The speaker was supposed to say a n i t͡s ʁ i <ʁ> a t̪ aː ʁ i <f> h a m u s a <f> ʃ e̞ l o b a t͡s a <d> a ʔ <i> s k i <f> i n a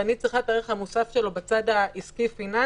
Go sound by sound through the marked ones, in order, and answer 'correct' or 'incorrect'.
incorrect: χ, incorrect: χ, correct, correct, correct, correct

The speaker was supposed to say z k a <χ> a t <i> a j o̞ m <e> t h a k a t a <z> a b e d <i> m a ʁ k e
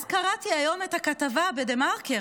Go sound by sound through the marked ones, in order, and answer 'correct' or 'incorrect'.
incorrect: ʁ, correct, correct, incorrect: v, incorrect: e

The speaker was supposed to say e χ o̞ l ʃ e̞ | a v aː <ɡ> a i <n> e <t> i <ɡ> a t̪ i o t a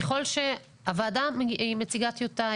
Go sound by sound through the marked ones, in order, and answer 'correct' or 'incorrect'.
incorrect: d, incorrect: m, incorrect: t͡s, correct

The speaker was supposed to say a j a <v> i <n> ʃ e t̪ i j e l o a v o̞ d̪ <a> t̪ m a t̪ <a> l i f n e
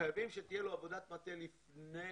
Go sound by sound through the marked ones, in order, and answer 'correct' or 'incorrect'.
correct, incorrect: m, correct, incorrect: e

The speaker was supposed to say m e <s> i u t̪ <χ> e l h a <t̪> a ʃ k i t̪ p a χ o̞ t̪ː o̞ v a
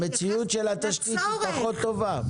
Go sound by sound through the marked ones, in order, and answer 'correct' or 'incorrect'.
incorrect: t͡s, incorrect: ʃ, correct

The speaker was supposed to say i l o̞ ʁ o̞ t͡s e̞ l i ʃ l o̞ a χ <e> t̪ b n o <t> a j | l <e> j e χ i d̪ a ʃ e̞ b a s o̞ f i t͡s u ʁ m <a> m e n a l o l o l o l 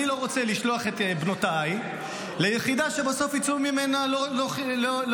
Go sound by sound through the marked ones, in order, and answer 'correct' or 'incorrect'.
correct, correct, correct, incorrect: i

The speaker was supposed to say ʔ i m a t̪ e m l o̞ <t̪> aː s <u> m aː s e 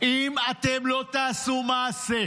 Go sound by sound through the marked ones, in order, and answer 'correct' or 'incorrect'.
correct, correct

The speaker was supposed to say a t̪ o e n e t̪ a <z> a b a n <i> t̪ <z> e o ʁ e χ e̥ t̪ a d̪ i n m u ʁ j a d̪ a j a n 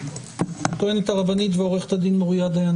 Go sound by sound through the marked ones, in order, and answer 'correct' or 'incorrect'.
incorrect: ʁ, correct, incorrect: v

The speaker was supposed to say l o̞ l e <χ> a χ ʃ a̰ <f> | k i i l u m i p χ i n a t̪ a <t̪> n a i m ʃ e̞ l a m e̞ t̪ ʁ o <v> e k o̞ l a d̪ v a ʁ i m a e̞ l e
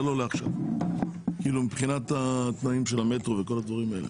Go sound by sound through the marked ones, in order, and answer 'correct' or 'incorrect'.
incorrect: none, incorrect: v, correct, correct

